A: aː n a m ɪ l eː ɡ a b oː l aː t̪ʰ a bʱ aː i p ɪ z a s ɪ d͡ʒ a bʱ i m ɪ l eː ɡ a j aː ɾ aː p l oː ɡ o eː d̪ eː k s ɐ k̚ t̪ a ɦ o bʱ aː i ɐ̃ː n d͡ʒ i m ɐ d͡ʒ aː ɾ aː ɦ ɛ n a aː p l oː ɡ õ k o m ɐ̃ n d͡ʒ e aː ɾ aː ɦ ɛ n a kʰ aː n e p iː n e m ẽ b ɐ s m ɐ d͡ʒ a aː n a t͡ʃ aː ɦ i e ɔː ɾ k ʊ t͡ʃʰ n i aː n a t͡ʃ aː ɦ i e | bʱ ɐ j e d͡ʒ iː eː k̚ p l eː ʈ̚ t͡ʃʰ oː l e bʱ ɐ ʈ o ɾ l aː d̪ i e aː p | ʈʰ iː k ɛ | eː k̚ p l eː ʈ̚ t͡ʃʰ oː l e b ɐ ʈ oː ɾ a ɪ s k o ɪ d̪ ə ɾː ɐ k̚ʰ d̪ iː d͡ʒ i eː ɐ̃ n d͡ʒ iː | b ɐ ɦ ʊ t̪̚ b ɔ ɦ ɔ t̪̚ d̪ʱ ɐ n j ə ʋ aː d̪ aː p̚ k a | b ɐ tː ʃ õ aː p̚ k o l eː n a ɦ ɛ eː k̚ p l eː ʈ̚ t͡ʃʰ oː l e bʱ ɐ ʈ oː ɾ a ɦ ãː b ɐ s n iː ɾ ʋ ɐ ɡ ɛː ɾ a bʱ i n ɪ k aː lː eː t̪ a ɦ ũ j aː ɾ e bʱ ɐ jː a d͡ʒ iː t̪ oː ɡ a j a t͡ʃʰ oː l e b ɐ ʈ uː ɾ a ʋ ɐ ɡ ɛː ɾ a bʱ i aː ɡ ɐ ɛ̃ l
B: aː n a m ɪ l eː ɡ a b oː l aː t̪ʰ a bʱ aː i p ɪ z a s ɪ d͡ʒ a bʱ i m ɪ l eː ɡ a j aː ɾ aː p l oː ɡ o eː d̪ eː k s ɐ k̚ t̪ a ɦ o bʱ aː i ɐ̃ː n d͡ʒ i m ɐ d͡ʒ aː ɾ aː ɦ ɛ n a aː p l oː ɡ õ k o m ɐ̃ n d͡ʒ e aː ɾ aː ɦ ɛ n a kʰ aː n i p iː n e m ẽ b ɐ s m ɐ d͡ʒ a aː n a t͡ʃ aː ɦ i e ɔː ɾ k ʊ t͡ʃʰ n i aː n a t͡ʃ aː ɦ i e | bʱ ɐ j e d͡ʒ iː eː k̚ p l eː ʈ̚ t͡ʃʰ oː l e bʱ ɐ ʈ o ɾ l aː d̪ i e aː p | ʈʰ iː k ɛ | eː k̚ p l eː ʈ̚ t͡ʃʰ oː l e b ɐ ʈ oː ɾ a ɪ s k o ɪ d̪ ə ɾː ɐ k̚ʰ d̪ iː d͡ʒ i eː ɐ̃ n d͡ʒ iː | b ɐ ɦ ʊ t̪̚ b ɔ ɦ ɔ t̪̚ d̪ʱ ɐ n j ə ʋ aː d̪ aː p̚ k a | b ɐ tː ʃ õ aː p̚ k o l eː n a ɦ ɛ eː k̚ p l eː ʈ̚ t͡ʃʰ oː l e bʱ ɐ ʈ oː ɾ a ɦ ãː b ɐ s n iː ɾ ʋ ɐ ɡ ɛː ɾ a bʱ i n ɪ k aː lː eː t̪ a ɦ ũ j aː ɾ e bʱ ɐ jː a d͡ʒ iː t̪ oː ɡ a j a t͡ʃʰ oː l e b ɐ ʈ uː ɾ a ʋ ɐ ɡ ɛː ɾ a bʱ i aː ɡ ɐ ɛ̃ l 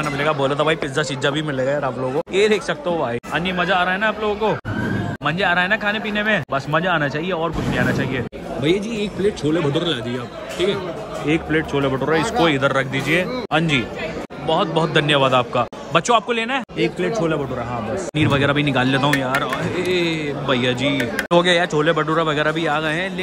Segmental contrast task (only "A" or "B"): A